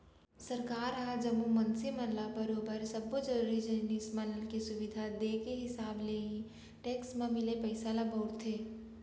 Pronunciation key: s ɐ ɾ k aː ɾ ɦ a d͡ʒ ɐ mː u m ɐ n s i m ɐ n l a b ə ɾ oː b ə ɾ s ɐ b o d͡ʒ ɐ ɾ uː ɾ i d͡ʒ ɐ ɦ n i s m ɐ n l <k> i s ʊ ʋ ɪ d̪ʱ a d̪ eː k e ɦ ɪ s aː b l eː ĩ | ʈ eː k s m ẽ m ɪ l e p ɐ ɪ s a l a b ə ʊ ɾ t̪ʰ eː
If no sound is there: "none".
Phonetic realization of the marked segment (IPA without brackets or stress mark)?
k